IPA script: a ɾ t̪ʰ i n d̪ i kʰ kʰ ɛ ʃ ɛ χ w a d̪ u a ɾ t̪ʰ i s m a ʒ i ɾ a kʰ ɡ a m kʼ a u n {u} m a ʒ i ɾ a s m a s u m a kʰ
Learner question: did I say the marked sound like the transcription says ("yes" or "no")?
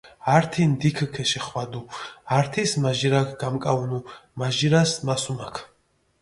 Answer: yes